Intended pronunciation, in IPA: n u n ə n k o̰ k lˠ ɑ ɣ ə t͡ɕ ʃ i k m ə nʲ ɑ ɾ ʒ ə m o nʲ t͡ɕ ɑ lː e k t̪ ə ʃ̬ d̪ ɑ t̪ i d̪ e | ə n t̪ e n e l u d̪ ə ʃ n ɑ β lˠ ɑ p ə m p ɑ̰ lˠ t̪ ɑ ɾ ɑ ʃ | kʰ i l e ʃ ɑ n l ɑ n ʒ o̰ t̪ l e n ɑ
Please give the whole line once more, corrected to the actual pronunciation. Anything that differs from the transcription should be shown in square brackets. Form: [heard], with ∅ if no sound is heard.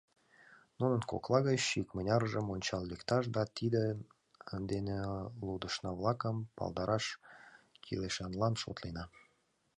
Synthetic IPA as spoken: n u n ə n k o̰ k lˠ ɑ ɣ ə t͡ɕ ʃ i k m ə nʲ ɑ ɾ ʒ ə m o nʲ t͡ɕ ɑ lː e k t̪ [ɑ] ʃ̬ d̪ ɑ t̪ i d̪ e | ə n [d̪] e n e l u d̪ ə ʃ n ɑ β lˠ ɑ [k] ə m p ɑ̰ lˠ [d̪] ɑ ɾ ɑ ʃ | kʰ i l e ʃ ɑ n l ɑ n [ʃ] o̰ t̪ l e n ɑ